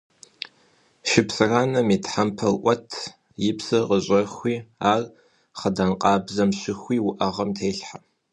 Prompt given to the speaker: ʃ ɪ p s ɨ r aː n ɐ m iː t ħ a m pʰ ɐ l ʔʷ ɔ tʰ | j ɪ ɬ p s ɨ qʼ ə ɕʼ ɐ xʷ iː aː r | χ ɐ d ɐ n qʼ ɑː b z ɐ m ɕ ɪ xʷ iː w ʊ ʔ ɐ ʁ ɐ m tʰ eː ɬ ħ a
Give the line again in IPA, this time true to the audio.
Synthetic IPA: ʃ ɪ p s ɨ r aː n ɐ m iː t ħ a m pʰ ɐ l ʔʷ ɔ tʰ | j ɪ p s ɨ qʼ ə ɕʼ ɐ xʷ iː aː r | χ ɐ d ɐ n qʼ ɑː b z ɐ m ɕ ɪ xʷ iː w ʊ ʔ ɐ ʁ ɐ m tʰ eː ɬ ħ a